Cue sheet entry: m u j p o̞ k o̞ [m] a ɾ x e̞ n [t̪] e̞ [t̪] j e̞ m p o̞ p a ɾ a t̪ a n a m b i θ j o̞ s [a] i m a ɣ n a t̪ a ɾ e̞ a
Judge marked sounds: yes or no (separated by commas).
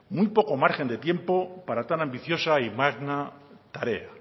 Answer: yes, no, yes, yes